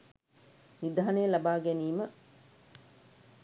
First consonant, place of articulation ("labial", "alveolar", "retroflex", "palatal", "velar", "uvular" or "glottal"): alveolar